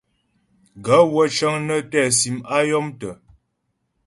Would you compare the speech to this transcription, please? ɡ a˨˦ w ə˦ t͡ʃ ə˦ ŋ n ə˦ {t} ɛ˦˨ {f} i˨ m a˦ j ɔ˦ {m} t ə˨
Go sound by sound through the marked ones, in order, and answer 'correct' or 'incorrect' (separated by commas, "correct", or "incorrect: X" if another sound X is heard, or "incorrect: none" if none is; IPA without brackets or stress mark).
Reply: correct, incorrect: s, correct